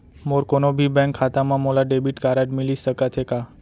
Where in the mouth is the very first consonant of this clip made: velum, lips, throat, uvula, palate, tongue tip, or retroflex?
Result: lips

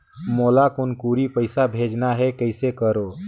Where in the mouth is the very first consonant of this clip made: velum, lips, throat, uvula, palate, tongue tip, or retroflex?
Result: lips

